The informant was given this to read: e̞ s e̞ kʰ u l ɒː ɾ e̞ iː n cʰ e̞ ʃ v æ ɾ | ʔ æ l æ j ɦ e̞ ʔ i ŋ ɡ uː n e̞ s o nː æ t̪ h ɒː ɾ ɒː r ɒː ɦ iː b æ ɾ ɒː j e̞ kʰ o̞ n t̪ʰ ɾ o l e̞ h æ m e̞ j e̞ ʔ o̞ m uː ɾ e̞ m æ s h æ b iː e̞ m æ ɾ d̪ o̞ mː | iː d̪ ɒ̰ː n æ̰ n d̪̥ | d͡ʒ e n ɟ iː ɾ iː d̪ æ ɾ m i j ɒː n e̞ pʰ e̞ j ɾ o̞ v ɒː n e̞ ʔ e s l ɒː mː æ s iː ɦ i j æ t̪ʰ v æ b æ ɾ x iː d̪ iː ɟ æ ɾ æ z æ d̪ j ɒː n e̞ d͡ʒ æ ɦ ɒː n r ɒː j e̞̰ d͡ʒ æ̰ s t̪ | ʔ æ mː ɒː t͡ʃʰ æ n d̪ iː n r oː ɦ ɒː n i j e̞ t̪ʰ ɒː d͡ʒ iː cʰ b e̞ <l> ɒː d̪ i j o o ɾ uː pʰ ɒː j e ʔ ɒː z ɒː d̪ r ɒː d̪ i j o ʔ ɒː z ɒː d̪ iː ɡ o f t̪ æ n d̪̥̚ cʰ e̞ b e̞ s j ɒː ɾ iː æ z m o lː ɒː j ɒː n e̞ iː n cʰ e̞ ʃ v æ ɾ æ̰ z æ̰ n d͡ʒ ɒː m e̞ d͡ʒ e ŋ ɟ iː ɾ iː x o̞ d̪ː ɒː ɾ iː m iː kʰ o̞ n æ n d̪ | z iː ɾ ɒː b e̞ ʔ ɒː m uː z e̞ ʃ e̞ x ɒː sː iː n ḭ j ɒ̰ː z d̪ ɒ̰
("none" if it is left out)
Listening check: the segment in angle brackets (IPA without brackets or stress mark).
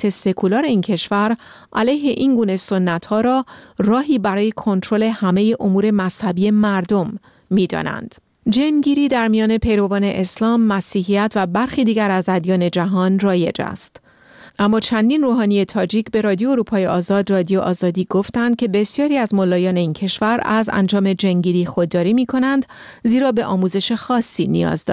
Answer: ɾ